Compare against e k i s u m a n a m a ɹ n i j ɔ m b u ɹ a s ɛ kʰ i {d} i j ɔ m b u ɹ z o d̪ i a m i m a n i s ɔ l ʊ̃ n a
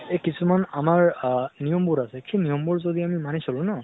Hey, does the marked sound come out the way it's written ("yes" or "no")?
no